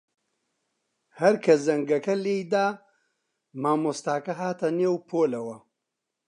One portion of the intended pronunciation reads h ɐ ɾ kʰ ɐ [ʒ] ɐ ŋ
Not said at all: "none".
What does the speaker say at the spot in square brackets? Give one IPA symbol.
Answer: z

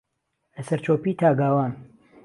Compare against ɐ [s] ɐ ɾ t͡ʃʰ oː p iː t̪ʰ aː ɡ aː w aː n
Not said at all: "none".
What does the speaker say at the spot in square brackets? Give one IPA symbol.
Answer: s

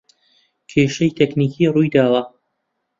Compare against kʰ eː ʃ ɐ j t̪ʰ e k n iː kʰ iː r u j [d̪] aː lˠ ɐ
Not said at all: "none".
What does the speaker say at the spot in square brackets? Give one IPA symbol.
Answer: d̪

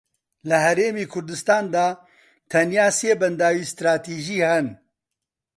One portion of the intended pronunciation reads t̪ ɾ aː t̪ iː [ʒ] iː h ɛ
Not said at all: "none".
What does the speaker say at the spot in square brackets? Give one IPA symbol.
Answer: ʒ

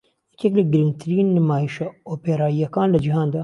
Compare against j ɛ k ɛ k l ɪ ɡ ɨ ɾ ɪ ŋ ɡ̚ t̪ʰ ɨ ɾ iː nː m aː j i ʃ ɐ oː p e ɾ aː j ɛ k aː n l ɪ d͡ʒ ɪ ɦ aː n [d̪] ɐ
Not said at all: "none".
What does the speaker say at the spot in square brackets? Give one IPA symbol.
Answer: d̪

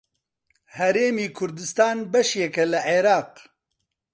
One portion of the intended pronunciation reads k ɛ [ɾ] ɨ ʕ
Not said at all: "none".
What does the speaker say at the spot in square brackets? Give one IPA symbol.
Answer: l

